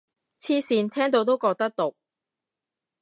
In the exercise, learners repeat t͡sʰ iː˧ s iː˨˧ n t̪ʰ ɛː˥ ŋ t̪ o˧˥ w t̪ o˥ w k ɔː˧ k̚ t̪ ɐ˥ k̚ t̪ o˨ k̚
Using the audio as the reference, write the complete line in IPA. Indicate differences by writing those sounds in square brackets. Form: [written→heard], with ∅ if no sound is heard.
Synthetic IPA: t͡sʰ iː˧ s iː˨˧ n t̪ʰ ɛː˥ ŋ t̪ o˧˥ w t̪ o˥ w k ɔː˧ k̚ t̪ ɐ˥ k̚ t̪ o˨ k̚